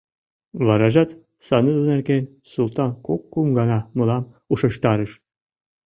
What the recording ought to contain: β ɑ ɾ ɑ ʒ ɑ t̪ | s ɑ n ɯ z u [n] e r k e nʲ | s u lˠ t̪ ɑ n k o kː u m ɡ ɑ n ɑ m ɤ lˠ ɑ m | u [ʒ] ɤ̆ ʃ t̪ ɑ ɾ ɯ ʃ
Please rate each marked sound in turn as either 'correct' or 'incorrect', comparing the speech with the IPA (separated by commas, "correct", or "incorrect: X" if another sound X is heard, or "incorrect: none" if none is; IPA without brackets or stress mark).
correct, incorrect: ʃ